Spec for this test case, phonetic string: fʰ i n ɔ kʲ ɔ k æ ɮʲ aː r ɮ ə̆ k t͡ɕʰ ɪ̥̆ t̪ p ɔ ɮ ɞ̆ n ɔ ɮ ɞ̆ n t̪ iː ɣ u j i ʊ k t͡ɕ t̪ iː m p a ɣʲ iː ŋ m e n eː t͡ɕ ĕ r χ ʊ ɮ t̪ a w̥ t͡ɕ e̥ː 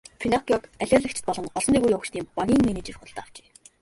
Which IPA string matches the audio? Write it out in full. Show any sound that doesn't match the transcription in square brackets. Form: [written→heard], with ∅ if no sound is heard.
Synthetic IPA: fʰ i n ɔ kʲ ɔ k æ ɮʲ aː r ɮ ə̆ k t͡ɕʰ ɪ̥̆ t̪ p ɔ ɮ ɞ̆ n ɔ ɮ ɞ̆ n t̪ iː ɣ u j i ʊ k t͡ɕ t̪ iː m p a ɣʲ iː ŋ m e n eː t͡ɕ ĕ r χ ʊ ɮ t̪ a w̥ t͡ɕ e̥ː